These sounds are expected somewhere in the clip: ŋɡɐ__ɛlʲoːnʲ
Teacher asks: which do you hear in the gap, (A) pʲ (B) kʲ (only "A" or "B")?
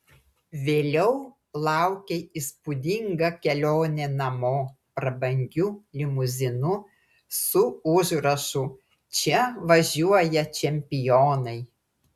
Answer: B